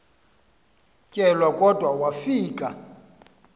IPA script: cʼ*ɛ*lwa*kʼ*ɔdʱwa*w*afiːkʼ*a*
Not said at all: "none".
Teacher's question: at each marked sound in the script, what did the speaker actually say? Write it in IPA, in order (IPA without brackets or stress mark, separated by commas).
ɛ, kʼ, w, a